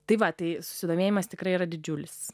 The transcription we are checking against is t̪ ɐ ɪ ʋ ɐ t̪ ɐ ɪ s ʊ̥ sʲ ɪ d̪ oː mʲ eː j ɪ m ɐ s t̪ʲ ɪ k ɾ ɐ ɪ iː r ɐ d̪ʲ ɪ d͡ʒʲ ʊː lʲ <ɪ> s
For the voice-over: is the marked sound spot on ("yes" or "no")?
yes